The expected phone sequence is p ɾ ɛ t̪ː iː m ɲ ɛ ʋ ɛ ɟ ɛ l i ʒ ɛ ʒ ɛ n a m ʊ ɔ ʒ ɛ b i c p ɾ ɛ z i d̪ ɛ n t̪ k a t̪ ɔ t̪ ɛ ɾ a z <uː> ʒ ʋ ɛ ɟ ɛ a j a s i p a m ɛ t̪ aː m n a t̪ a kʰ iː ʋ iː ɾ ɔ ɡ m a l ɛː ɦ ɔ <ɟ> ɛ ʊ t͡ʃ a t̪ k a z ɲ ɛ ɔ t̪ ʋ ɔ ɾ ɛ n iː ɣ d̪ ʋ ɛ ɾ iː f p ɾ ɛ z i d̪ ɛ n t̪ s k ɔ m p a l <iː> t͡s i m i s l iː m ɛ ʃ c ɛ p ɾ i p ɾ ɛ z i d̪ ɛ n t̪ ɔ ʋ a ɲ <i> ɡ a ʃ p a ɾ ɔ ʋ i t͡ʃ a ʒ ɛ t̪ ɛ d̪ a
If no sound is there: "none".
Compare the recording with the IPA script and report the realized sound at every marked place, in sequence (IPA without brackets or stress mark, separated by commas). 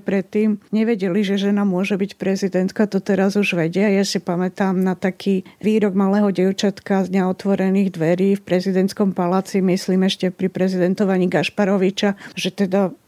u, ɟ, aː, iː